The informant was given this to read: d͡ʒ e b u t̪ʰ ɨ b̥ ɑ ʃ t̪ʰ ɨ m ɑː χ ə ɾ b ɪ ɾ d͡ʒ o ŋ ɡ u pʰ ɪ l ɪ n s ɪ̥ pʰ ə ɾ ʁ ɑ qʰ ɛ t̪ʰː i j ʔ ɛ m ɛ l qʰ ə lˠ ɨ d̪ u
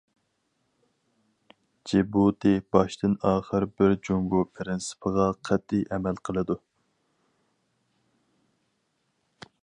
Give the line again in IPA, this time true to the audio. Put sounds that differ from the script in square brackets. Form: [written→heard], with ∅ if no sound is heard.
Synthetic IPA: d͡ʒ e b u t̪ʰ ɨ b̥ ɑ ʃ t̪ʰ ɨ [m→n] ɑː χ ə ɾ b ɪ ɾ d͡ʒ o ŋ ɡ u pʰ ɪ [l→ɾ] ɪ n s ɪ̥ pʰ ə [ɾ→∅] ʁ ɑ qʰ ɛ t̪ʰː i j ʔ ɛ m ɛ l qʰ ə lˠ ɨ d̪ u

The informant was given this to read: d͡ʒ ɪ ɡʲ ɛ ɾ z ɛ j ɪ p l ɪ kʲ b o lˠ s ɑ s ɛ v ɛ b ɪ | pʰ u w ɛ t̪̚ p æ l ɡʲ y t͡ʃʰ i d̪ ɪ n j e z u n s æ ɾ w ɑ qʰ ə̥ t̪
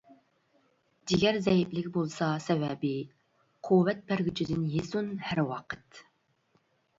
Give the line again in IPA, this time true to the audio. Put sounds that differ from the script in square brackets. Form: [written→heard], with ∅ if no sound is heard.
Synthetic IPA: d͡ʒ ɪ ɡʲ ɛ ɾ z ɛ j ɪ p l ɪ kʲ b o lˠ s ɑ s ɛ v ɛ b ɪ | [pʰ→qʰ] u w ɛ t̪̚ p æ [l→ɾ] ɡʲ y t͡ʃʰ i d̪ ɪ n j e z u n [s→h] æ ɾ w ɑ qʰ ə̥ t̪

